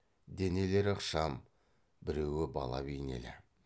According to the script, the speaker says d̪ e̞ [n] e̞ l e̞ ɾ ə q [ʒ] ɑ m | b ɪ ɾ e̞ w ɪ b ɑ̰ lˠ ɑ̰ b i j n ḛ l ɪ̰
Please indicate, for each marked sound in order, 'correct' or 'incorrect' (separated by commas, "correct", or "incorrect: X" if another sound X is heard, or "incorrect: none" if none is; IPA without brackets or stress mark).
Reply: correct, incorrect: ʃ